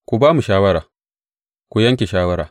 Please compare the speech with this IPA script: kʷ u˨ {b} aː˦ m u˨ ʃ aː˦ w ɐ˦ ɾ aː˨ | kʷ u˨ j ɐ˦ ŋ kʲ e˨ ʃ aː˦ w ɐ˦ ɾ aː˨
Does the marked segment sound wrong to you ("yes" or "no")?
no